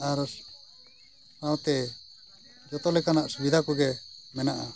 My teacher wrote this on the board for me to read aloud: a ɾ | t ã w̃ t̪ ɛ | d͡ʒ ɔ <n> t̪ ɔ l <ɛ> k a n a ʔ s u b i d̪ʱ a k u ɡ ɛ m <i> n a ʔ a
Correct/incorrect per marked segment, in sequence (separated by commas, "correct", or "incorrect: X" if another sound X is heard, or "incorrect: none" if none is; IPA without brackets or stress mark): incorrect: none, correct, incorrect: ɛ